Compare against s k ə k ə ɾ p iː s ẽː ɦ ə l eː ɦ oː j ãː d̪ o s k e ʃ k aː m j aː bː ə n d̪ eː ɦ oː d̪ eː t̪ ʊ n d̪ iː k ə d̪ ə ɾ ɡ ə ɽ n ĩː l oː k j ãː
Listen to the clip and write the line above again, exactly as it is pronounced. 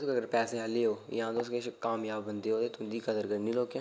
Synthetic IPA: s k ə ɡ ə ɾ p ɛː s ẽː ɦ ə l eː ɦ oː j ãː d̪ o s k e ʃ k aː m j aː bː ə n d̪ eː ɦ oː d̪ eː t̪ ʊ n d̪ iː k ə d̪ ə ɾ ɡ ə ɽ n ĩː l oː k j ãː